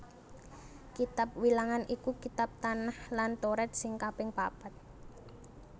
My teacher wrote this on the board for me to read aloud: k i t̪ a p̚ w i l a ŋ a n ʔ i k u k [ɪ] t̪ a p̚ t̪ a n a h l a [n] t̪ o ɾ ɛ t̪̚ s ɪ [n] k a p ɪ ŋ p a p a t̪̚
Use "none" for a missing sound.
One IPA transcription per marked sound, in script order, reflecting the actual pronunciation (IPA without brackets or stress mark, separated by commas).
i, n, ŋ